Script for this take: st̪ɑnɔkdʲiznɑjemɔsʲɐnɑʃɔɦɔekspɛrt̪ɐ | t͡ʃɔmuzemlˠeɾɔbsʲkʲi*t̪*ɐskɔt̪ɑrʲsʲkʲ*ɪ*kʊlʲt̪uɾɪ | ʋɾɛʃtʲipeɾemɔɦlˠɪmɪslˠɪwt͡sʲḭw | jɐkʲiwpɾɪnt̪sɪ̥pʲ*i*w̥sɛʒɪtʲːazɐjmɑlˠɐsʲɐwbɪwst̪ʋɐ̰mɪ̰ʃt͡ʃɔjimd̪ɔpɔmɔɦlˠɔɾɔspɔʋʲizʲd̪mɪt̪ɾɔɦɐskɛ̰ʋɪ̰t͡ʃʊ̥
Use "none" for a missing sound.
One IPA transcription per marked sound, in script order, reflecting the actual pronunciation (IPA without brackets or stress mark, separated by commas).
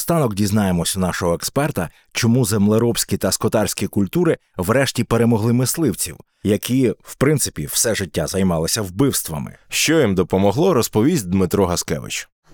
t̪, i, i